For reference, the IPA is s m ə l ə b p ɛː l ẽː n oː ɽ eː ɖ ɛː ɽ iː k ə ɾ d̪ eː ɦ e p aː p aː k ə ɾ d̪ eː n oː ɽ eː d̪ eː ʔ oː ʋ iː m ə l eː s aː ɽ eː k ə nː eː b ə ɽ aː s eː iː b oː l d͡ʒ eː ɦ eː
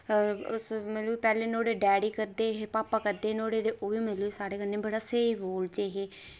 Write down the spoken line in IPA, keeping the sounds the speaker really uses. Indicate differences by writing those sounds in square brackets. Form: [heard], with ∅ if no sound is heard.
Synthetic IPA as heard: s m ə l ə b p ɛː l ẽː n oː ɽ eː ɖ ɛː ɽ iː k ə ɾ d̪ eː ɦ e p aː p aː k ə ɾ d̪ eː n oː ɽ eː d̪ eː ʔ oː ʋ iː m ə l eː s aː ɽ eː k ə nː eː b ə ɽ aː s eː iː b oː l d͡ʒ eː ɦ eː